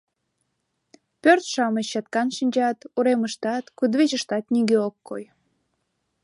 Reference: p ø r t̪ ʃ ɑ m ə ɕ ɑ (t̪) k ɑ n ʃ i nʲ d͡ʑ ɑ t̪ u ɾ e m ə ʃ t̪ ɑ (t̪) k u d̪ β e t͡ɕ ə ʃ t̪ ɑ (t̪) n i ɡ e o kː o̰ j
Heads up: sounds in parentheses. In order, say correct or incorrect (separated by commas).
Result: correct, correct, correct